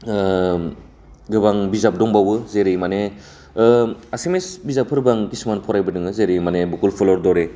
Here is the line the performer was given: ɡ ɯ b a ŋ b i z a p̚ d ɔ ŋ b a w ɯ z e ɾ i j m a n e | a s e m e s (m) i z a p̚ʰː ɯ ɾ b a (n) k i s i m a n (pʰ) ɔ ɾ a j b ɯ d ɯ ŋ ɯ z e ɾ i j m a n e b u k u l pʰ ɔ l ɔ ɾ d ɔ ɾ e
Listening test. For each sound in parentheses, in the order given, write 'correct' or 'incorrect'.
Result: incorrect: b, incorrect: ŋ, correct

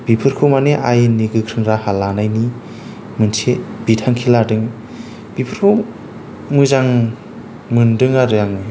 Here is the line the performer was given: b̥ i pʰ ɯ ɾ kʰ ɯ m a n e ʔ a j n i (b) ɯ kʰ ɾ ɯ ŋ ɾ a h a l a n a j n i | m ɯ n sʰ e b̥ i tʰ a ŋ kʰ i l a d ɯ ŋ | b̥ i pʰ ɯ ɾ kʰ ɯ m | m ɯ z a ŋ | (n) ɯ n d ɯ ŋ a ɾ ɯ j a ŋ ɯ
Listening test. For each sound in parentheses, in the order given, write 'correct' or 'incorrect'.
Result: incorrect: ɡ, incorrect: m

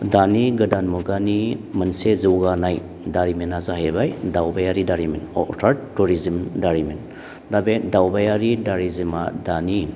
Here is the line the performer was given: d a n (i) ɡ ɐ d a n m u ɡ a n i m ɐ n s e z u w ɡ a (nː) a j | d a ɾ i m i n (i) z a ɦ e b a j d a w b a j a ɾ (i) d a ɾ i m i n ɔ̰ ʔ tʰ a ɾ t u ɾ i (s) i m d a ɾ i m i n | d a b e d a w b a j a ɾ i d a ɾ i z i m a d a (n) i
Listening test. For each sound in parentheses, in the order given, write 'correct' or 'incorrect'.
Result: correct, incorrect: n, incorrect: a, correct, incorrect: z, correct

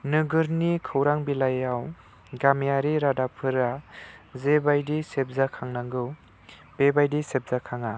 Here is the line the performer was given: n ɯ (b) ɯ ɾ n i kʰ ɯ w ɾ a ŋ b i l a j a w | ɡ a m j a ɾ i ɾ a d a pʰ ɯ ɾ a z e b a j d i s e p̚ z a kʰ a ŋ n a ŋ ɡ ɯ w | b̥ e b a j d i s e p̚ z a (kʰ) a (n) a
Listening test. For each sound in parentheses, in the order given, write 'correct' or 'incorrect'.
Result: incorrect: ɡ, correct, incorrect: ŋ

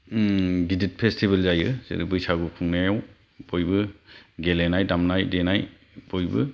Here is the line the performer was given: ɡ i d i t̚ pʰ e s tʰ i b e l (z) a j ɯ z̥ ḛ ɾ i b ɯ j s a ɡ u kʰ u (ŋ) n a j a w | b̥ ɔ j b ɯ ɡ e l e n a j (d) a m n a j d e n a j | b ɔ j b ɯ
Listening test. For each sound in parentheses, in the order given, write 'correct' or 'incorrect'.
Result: correct, correct, correct

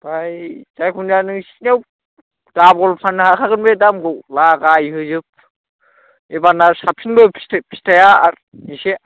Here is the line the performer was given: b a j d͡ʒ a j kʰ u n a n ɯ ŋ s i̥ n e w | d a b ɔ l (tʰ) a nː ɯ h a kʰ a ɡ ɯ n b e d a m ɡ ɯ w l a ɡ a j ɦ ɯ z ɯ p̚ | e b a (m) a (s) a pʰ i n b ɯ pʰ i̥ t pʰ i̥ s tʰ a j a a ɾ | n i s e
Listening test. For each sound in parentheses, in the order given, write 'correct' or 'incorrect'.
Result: incorrect: pʰ, incorrect: n, correct

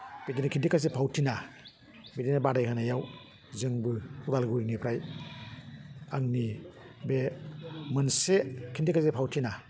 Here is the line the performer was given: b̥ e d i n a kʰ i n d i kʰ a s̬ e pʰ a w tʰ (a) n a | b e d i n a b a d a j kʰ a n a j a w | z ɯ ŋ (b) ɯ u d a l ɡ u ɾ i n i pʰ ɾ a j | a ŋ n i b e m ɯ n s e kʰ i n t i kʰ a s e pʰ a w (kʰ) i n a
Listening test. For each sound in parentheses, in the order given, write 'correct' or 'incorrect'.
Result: incorrect: i, correct, incorrect: tʰ

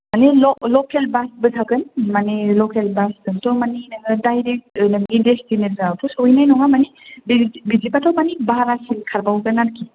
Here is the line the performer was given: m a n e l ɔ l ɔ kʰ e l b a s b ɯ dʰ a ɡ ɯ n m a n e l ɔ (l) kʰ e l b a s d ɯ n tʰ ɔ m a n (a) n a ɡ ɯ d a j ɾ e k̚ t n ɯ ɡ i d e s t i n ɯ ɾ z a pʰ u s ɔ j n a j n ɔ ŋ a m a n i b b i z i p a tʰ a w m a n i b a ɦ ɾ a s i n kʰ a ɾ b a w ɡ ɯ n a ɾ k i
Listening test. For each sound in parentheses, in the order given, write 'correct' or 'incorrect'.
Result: incorrect: none, incorrect: i

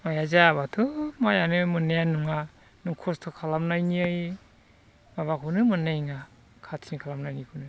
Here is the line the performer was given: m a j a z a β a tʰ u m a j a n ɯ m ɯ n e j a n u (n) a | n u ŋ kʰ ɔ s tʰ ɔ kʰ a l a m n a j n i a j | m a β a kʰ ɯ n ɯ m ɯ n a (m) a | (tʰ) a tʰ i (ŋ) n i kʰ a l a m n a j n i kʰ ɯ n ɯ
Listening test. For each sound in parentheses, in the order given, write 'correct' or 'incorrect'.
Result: incorrect: ŋ, incorrect: ŋ, incorrect: kʰ, incorrect: none

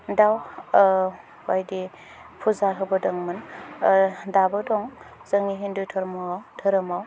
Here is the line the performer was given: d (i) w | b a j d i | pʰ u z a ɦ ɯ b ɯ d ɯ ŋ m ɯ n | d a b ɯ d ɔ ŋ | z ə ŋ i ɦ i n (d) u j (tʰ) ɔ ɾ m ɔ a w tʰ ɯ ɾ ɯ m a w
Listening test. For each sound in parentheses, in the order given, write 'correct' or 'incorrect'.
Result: incorrect: a, correct, correct

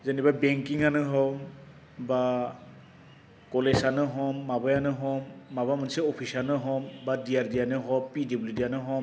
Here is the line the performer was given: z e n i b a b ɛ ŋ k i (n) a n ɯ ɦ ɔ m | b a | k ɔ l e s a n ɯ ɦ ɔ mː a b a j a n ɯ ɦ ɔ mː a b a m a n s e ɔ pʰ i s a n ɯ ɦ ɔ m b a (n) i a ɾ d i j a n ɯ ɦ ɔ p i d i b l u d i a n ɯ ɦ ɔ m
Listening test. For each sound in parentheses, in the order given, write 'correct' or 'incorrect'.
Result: incorrect: ŋ, incorrect: d

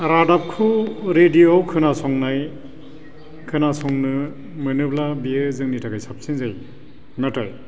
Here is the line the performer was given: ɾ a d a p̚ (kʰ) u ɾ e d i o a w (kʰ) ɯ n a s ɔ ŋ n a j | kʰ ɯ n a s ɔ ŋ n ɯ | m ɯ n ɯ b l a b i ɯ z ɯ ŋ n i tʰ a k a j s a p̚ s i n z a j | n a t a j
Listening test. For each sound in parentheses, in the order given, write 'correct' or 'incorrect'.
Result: correct, correct

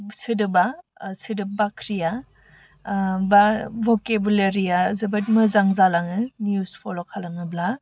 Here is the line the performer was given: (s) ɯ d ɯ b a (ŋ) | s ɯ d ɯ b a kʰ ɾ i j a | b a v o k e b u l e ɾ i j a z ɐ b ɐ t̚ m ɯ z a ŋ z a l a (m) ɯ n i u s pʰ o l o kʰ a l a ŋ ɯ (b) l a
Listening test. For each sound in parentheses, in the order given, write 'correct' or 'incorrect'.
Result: correct, incorrect: none, incorrect: ŋ, correct

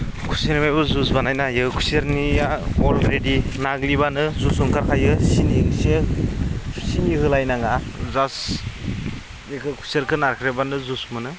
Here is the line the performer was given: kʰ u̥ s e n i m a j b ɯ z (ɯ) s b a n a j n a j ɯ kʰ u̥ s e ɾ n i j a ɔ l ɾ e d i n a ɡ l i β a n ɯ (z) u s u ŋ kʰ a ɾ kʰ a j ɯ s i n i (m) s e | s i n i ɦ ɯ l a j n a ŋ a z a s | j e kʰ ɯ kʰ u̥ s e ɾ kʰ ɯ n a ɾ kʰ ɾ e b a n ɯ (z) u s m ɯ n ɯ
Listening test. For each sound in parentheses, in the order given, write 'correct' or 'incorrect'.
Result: incorrect: u, correct, incorrect: ŋ, correct

